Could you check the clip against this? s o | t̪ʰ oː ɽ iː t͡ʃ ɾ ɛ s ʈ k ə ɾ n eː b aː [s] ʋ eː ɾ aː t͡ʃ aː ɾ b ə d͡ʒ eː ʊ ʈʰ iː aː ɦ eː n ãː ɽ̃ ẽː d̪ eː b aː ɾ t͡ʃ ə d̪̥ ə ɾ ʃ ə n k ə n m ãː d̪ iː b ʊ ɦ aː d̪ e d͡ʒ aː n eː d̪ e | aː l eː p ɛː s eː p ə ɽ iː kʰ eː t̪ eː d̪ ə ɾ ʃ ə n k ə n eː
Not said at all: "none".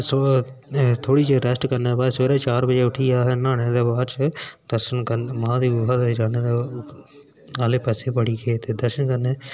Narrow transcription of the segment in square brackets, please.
s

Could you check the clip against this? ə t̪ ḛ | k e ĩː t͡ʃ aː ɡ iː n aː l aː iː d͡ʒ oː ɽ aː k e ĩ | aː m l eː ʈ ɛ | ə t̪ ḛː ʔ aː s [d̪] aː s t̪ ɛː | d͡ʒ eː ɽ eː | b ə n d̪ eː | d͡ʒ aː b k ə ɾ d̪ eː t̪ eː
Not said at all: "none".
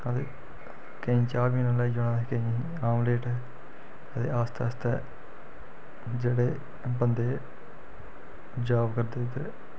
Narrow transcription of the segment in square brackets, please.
t̪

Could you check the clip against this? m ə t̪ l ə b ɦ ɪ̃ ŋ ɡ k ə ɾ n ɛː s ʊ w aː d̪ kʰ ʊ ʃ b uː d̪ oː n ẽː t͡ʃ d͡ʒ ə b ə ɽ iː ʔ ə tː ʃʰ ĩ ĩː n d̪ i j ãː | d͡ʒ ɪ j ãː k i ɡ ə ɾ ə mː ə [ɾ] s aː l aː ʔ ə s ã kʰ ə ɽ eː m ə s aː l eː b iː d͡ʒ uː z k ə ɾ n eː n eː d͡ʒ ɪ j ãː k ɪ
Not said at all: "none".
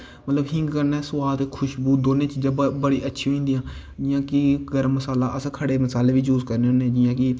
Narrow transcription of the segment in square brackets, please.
none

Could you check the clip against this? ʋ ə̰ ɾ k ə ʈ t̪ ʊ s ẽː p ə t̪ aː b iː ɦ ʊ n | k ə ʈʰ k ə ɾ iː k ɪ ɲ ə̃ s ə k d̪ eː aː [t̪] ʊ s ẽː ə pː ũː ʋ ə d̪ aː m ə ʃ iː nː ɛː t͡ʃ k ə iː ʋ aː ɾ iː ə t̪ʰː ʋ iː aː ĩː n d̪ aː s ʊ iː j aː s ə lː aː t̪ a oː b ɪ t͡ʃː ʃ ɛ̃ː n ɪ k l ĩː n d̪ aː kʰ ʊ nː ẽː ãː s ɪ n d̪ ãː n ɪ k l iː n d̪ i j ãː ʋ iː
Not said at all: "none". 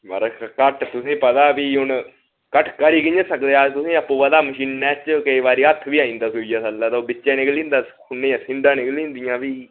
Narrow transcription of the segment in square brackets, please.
t̪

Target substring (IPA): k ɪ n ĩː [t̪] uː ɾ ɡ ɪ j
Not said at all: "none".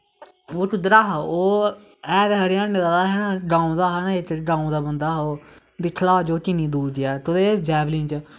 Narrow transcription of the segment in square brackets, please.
d̪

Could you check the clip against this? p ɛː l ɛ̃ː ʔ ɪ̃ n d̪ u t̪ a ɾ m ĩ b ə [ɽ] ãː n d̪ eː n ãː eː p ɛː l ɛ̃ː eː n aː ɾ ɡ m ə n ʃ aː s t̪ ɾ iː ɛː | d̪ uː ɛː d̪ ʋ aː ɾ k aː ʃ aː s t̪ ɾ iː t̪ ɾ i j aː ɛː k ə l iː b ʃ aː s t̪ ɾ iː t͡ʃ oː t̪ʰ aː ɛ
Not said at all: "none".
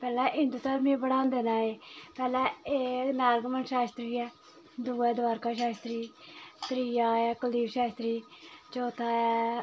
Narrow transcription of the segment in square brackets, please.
ɽ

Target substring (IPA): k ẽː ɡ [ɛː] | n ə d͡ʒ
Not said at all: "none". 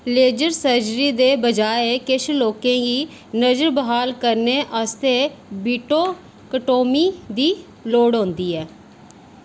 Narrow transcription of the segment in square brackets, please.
iː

